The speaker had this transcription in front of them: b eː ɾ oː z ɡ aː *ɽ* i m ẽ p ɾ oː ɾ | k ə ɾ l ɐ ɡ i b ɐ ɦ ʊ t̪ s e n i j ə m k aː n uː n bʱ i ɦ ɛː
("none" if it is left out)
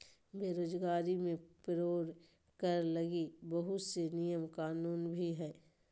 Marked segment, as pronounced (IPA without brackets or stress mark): ɾ